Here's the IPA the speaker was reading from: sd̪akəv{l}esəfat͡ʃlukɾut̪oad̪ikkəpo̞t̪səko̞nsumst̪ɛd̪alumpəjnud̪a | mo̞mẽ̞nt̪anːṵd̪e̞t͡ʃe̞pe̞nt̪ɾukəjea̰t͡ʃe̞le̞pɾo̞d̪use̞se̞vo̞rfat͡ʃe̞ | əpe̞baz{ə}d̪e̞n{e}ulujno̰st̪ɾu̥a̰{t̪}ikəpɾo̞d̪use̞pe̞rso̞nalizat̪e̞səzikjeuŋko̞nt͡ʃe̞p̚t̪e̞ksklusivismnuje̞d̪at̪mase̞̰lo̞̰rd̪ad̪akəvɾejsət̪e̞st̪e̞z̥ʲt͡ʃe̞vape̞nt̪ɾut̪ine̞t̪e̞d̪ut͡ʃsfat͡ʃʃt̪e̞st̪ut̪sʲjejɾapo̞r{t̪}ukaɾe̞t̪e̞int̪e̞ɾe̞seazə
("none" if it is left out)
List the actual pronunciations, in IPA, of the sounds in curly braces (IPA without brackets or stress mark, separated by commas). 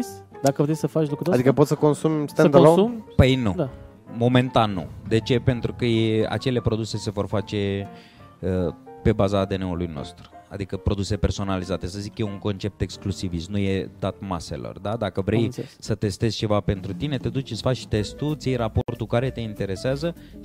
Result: ɾ, a, e, d̪, t̪